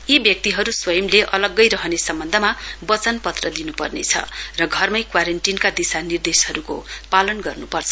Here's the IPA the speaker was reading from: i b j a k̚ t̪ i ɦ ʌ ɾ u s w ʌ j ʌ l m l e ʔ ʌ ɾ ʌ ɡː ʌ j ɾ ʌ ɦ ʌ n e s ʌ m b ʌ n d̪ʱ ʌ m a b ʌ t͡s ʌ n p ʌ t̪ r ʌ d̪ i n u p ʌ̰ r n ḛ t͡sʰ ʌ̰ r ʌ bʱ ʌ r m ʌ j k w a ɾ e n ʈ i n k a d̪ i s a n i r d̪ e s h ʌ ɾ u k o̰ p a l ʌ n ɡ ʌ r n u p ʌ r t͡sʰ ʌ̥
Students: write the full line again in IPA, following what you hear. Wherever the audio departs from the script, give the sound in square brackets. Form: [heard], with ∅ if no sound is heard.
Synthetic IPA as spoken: i b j [ʌ] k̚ t̪ i ɦ ʌ ɾ u s w ʌ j ʌ [∅] m l e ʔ ʌ [l] ʌ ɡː ʌ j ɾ ʌ ɦ ʌ n e s ʌ m b ʌ n d̪ʱ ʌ m a b ʌ t͡s ʌ n p ʌ t̪ r ʌ d̪ i n u p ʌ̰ r n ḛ t͡sʰ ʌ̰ r ʌ [ɡʱ] ʌ r m ʌ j k w a ɾ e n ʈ i n k a d̪ i s a n i r d̪ e s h ʌ ɾ u k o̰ p a l ʌ n ɡ ʌ r n u p ʌ r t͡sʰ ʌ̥